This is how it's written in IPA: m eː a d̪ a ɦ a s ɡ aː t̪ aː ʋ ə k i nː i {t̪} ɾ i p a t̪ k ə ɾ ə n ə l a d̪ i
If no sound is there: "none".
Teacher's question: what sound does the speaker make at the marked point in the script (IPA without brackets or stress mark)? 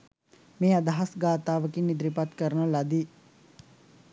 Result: d̪